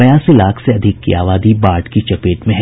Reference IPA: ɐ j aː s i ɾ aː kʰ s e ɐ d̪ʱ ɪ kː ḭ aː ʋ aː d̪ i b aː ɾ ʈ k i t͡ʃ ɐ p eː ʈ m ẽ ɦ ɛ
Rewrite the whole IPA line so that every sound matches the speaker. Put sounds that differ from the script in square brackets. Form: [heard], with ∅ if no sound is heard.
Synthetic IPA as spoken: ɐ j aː s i [l] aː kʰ s e ɐ d̪ʱ ɪ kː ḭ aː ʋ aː d̪ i b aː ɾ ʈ k i t͡ʃ ɐ p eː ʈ m ẽ ɦ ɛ